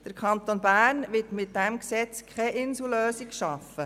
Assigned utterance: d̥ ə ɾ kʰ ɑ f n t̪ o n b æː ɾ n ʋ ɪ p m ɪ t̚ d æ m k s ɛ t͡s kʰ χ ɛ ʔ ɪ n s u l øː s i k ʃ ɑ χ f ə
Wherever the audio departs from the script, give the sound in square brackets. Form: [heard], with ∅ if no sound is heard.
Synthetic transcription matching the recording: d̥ ə ɾ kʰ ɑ [∅] n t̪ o n b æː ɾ n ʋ ɪ [t] m ɪ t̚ d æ m k s ɛ t͡s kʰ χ ɛ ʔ ɪ n s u l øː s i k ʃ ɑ [∅] f ə